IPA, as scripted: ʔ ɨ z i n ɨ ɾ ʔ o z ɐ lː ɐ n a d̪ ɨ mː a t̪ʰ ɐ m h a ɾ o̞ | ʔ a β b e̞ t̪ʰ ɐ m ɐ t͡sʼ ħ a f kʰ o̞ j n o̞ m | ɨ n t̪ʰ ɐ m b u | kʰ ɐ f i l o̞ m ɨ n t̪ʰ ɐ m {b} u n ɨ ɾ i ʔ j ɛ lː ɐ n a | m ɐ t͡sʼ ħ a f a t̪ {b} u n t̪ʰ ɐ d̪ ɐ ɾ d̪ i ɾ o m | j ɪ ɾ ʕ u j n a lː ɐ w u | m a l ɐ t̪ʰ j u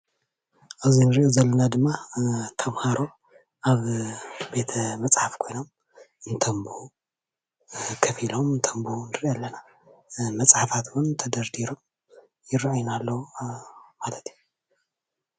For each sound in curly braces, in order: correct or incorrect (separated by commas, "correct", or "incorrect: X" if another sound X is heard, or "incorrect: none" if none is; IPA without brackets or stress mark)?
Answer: correct, incorrect: w